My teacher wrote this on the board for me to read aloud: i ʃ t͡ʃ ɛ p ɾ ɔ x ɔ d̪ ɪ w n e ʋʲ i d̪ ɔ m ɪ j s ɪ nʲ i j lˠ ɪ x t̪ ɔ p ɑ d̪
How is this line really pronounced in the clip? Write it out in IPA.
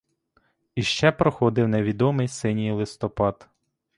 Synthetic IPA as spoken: i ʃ t͡ʃ ɛ p ɾ ɔ x ɔ d̪ ɪ w n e ʋʲ i d̪ ɔ m ɪ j s ɪ nʲ i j lˠ ɪ s t̪ ɔ p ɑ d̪